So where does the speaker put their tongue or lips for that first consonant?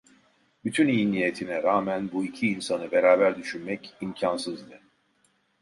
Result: lips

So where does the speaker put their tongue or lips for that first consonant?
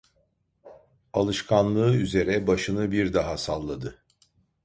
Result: tongue tip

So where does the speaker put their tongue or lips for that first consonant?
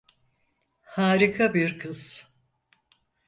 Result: throat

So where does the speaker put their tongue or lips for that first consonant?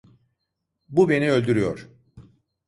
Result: lips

